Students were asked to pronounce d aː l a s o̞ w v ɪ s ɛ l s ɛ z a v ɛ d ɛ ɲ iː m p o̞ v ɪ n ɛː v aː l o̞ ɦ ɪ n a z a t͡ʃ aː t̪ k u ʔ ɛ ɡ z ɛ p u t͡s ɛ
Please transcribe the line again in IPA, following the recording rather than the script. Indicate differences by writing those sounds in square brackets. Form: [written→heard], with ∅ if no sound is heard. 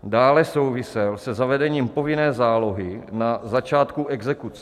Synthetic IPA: d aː l [a→ɛ] s o̞ w v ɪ s ɛ l s ɛ z a v ɛ d ɛ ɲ iː m p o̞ v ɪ n ɛː [v→z] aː l o̞ ɦ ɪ n a z a t͡ʃ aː t̪ k u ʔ ɛ ɡ z ɛ [p→k] u t͡s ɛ